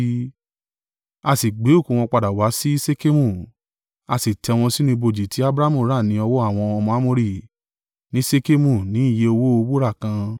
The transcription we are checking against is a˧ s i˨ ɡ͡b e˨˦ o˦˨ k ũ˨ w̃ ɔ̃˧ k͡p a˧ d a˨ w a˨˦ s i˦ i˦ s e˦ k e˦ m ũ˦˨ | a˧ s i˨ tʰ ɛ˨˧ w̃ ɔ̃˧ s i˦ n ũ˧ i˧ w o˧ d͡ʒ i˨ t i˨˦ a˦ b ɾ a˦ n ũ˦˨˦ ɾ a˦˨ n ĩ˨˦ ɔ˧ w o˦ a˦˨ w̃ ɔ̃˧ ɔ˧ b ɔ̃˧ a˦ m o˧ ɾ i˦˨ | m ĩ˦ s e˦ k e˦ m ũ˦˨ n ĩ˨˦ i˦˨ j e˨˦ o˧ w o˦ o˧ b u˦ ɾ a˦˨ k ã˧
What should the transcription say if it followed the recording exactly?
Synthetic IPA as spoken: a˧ s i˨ ɡ͡b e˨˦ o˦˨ k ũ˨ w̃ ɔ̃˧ k͡p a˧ d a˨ w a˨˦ s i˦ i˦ s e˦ k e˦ m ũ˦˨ | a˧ s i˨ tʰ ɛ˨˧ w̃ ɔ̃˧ s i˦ n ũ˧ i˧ b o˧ d͡ʒ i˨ t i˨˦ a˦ b ɾ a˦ m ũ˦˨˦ ɾ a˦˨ n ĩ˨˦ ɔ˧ w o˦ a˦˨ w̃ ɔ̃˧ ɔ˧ m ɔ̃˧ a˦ m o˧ ɾ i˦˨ | n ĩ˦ s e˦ k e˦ m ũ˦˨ n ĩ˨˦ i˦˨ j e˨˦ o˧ w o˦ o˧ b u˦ ɾ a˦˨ k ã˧